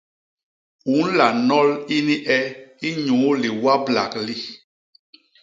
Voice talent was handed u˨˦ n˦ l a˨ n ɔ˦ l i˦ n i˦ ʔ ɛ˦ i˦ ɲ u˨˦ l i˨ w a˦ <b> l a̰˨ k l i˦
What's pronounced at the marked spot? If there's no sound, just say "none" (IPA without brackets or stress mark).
b